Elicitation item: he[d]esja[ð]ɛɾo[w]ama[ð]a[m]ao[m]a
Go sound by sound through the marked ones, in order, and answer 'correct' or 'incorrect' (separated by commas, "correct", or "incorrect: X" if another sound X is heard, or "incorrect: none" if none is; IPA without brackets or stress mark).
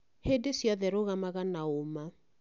correct, correct, incorrect: ɣ, incorrect: ɣ, incorrect: n, correct